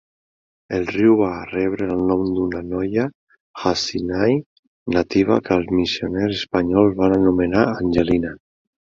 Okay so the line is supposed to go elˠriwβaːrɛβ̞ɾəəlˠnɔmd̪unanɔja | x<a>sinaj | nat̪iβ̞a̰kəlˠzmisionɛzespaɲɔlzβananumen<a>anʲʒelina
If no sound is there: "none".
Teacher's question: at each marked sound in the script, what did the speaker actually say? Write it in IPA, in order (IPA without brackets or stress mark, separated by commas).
a, a